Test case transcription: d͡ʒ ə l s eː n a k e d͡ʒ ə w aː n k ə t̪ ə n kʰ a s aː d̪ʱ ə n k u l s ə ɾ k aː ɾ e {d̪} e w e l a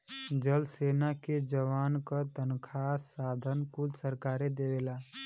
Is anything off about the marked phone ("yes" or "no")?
no